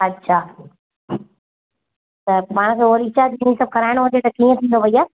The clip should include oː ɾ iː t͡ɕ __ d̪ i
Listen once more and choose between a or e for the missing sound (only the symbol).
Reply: a